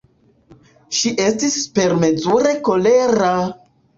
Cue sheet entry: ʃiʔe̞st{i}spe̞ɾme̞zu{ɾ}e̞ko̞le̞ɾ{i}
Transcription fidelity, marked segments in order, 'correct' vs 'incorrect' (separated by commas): correct, correct, incorrect